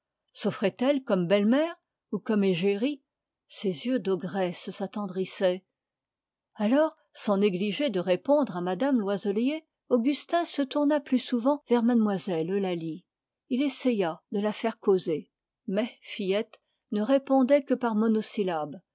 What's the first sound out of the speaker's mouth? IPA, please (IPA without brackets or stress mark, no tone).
s